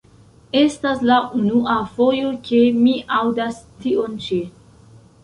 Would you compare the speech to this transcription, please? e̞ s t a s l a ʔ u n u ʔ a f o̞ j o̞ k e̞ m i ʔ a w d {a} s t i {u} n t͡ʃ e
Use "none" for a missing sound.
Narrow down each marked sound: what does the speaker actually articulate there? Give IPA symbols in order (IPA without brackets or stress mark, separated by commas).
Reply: a, o